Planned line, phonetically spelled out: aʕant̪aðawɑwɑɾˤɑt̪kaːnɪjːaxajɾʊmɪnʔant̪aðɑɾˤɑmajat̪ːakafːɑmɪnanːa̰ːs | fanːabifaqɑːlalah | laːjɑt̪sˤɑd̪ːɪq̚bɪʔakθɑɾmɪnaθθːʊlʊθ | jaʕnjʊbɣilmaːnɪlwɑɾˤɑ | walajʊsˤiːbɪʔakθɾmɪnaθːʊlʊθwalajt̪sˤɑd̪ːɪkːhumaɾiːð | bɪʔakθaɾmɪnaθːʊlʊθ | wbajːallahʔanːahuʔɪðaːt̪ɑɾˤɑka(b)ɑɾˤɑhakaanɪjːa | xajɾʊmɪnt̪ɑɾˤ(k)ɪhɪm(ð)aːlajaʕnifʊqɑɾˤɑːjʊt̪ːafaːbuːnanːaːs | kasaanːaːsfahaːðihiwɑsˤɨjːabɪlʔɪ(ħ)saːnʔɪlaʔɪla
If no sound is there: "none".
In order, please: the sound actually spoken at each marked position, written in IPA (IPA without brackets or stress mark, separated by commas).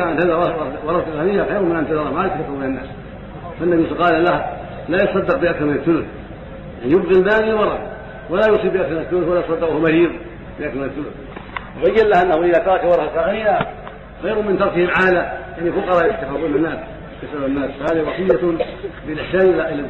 w, k, ʕ, ħ